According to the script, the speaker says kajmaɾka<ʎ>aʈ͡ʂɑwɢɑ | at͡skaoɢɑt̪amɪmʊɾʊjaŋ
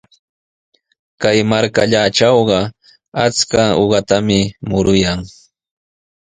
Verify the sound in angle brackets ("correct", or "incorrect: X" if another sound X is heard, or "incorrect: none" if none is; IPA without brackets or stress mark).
correct